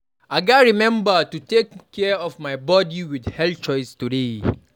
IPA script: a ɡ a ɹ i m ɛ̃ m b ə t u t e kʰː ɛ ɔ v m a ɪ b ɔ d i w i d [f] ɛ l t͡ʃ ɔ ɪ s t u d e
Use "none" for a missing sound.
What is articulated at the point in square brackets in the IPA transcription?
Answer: h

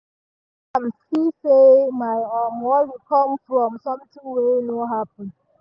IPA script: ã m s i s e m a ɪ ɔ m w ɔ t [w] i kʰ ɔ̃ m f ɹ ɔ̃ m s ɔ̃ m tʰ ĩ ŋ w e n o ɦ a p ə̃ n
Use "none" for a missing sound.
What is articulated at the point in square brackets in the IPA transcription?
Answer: w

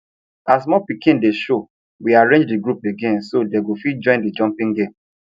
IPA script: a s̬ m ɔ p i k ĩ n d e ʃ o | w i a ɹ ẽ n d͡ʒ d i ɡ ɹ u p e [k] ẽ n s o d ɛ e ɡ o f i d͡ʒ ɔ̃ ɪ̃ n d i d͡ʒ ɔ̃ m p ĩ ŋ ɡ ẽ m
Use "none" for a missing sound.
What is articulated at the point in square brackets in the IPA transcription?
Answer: ɡ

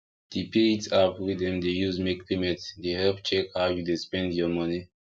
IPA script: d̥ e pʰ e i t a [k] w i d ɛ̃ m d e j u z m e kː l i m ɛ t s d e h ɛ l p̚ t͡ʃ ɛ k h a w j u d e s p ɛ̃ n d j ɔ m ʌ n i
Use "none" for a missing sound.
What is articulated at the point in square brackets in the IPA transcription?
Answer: p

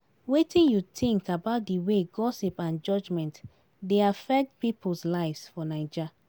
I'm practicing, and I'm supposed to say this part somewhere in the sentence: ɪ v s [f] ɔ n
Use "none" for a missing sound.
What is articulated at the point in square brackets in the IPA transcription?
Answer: f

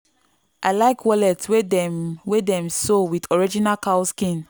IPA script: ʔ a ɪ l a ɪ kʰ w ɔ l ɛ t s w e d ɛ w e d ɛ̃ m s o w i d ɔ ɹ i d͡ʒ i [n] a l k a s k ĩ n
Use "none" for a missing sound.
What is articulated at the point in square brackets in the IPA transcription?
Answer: n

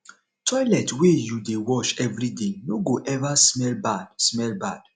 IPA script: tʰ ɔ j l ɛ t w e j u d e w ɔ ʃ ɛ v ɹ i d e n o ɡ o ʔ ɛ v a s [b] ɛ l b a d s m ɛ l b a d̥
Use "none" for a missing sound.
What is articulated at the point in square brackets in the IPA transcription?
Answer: m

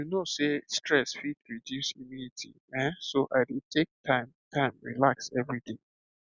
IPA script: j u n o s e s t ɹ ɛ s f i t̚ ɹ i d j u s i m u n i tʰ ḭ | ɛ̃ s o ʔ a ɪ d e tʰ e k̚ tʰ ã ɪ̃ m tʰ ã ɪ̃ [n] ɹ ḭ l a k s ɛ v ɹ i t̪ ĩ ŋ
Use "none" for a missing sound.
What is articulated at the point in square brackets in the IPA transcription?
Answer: m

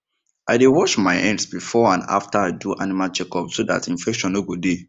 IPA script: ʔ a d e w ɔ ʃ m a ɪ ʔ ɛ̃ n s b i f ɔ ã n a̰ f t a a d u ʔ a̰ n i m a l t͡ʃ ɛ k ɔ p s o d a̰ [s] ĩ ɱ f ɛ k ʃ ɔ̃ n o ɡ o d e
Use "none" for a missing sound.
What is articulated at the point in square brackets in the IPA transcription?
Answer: t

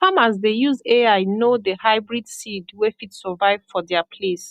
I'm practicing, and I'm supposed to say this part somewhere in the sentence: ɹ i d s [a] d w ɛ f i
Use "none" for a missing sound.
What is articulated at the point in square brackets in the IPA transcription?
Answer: i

